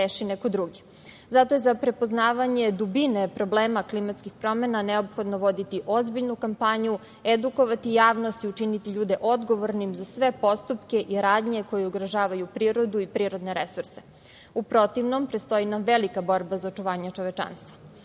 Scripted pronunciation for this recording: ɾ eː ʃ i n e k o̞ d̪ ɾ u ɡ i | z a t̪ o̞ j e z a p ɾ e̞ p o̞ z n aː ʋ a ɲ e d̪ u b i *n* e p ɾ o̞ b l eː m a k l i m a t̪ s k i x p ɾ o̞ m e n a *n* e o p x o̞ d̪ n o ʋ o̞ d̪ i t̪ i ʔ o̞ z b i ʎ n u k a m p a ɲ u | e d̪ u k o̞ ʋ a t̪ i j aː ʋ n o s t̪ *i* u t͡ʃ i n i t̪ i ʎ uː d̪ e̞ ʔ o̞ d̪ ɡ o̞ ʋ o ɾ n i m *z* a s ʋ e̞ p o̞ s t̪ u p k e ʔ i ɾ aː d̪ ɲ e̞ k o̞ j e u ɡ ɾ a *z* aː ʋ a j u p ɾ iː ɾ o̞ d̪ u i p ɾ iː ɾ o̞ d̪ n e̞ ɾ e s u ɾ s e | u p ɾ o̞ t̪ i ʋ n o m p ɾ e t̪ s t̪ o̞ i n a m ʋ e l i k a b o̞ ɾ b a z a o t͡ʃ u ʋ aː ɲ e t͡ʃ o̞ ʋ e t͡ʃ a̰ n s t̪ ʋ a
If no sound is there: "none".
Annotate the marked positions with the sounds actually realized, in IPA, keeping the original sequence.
n, n, i, z, ʒ

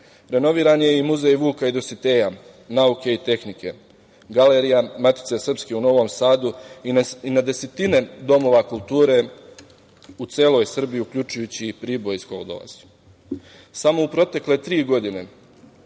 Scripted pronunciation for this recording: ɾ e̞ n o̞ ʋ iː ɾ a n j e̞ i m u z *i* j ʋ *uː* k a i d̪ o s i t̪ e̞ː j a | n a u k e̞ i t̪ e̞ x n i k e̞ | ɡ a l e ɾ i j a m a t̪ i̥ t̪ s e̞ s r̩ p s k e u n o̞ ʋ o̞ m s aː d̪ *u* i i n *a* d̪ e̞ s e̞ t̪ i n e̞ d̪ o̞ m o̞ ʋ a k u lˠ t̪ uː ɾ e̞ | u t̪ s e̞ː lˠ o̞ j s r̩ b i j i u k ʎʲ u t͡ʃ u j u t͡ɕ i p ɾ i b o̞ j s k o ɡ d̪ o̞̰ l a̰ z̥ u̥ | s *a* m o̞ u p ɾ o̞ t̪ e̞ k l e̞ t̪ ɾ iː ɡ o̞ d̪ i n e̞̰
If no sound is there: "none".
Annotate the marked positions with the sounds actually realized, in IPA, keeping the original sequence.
e, uː, u, a, a

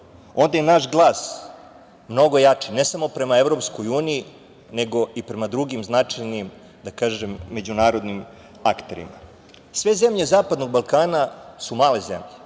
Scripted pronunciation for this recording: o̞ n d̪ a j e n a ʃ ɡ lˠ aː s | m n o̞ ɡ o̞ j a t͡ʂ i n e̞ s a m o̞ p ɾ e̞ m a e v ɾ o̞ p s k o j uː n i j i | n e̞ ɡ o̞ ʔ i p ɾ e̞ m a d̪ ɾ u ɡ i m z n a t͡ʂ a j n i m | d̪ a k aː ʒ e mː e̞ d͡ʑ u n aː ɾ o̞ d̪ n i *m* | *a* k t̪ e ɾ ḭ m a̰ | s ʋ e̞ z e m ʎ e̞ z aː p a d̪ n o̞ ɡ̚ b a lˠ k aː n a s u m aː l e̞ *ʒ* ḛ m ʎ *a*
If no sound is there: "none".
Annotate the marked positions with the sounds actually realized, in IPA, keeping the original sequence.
m, a, z, e

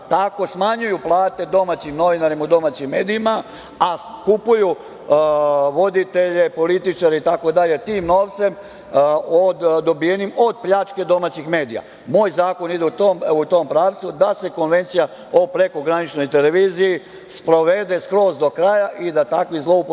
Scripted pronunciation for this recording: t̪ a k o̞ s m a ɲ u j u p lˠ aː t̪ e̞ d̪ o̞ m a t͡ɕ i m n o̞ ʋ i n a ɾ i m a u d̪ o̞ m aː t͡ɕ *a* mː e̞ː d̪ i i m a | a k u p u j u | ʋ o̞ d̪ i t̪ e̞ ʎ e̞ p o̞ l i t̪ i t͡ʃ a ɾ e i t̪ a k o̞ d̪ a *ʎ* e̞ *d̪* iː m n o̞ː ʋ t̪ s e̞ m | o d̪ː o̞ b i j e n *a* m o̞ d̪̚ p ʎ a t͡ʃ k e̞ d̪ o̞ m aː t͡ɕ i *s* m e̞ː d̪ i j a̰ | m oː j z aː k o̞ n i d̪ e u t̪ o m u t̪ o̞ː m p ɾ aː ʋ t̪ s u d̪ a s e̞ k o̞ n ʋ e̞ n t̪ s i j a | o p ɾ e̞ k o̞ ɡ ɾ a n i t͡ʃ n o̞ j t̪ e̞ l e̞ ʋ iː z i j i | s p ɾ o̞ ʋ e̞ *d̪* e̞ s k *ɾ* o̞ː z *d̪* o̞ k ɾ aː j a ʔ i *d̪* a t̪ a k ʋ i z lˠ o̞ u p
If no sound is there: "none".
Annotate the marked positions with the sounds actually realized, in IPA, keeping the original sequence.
i, ʎ, t̪, i, x, d̪, ɾ, d̪, d̪

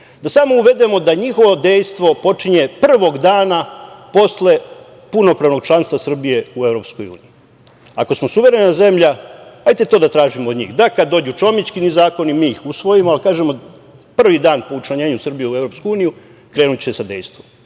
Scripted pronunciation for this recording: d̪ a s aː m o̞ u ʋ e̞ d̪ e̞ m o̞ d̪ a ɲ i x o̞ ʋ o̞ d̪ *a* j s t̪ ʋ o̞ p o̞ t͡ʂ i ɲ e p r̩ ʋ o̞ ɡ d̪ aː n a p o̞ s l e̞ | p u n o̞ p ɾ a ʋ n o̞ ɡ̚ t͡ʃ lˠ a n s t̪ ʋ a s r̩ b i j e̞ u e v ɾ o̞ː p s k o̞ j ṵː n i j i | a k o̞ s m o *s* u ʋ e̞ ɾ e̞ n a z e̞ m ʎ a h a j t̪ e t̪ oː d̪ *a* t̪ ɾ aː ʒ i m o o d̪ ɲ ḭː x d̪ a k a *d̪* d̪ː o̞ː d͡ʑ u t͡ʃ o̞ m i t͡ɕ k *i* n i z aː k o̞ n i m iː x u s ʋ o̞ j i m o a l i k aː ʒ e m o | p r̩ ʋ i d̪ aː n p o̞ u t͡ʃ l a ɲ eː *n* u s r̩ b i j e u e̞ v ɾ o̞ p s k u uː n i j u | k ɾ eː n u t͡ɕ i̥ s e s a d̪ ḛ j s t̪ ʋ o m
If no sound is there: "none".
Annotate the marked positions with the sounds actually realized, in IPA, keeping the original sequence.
e, s, a, d̪, i, ɲ

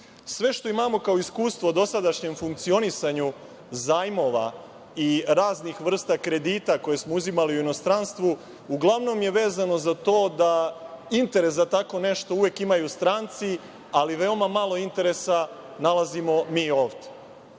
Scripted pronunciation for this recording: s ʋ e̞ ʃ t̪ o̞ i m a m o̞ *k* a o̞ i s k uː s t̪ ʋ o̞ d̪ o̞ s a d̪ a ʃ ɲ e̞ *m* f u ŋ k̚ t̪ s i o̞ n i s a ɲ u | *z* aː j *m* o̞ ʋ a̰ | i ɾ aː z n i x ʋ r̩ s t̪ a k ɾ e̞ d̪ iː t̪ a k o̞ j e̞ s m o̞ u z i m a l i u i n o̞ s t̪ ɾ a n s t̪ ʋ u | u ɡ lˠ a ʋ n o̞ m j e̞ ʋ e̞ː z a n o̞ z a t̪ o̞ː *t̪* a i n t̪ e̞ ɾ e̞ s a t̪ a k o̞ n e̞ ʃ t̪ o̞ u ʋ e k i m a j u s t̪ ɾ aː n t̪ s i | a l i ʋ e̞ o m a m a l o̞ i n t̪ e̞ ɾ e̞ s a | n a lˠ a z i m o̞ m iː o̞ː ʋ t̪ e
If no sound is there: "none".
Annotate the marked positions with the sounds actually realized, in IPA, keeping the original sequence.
k, m, z, m, d̪

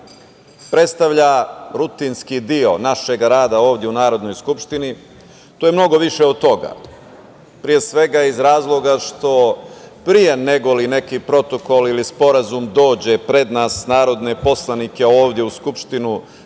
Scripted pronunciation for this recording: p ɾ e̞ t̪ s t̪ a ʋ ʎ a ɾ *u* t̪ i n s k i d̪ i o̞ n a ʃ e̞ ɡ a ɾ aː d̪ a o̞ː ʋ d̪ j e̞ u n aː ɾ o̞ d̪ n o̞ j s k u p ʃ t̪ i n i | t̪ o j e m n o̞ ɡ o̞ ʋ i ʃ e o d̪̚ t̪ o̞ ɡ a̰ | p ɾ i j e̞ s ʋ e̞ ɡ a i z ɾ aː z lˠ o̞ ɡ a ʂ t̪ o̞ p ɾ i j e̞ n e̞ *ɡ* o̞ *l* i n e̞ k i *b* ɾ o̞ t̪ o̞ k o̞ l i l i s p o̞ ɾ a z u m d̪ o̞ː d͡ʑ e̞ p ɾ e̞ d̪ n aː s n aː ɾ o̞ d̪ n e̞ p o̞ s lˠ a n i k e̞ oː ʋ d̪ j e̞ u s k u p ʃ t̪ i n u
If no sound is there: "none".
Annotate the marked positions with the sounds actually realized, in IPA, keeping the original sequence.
u, ɡ, l, p

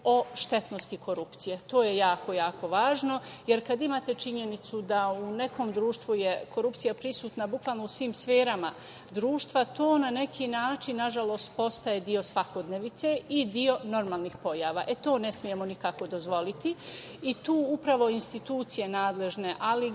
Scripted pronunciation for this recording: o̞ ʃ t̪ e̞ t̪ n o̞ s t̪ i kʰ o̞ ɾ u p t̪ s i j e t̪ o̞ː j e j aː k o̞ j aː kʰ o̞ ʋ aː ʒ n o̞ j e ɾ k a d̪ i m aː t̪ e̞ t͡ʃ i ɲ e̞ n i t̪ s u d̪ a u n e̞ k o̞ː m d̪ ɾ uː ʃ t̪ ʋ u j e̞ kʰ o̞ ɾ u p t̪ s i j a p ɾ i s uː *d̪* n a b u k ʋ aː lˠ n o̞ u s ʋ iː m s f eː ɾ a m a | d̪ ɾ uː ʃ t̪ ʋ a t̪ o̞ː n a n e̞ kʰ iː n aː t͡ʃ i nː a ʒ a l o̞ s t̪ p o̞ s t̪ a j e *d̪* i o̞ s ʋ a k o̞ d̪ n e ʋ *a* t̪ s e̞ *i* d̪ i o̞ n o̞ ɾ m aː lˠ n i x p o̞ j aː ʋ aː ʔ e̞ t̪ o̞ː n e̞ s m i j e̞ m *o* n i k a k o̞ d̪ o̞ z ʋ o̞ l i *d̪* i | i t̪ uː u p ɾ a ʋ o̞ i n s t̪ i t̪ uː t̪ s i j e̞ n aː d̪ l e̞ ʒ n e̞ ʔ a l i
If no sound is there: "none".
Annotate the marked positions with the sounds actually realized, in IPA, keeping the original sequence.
t̪, d̪, i, i, o, t̪

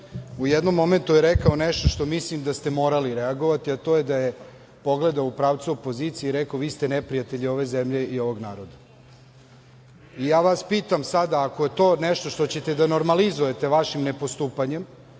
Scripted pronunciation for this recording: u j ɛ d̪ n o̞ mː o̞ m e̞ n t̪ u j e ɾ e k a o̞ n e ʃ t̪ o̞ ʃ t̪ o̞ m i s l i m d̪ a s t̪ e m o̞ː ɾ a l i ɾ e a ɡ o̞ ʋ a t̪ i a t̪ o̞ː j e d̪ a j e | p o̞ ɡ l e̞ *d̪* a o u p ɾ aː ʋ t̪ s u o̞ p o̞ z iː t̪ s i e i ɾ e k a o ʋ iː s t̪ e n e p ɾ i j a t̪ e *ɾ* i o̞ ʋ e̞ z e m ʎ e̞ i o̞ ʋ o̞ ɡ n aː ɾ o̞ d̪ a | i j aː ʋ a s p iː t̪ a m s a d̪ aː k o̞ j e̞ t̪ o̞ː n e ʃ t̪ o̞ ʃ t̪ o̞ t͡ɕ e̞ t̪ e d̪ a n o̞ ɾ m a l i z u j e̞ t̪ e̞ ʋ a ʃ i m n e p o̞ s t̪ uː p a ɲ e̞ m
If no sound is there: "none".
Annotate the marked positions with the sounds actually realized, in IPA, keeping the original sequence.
d̪, ʎ

